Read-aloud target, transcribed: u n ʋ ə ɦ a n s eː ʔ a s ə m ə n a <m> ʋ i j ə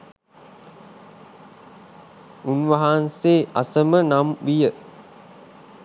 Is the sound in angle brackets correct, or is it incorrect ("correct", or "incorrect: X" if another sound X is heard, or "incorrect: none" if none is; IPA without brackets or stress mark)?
correct